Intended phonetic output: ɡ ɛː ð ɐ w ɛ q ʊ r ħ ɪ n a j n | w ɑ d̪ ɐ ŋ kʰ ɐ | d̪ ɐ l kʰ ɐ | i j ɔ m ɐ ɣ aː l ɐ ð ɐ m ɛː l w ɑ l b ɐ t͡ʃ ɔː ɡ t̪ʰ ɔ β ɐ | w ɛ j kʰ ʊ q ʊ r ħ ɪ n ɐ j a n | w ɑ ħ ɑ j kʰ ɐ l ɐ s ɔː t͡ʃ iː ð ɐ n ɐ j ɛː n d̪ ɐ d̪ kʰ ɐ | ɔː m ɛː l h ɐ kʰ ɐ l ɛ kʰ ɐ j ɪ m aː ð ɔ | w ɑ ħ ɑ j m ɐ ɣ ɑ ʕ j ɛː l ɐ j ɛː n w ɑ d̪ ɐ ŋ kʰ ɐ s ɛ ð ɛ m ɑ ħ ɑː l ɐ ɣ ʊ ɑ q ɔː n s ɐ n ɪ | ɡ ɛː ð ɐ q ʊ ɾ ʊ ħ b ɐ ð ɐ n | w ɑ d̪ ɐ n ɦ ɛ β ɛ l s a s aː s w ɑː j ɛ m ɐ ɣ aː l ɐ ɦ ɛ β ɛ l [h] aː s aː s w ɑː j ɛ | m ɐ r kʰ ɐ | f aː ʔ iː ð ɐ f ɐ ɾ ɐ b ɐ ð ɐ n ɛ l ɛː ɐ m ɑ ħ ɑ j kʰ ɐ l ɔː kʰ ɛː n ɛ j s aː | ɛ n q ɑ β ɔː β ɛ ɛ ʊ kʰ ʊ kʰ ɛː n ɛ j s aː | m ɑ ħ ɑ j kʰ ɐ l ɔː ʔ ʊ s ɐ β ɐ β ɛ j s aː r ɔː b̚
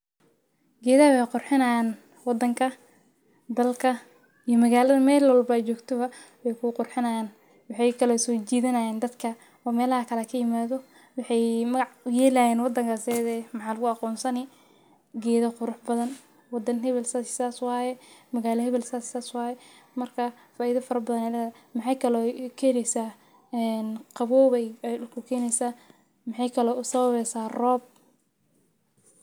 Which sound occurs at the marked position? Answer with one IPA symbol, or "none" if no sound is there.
s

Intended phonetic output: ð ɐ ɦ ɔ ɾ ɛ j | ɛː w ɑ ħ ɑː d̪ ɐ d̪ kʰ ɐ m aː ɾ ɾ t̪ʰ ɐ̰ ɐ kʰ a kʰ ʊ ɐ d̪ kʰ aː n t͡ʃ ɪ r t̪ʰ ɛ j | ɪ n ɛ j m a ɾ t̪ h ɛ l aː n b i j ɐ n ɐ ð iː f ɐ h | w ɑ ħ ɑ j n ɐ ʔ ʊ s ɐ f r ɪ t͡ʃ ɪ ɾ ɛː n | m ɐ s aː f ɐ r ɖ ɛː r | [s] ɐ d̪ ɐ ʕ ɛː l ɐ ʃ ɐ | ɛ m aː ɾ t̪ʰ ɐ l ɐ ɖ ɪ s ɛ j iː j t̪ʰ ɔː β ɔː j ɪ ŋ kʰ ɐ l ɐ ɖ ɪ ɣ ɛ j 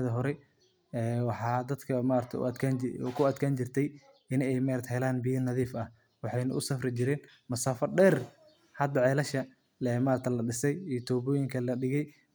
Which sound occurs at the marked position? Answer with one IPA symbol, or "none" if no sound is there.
h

